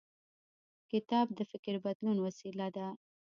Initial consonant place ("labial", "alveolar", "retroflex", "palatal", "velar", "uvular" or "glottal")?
velar